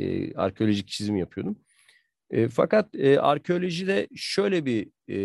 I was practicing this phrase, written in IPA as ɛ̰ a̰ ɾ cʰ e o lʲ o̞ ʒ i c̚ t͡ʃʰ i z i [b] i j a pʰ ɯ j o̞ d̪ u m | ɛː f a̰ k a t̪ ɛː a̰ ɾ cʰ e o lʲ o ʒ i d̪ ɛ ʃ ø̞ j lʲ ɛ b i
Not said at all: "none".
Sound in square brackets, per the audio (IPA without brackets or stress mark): m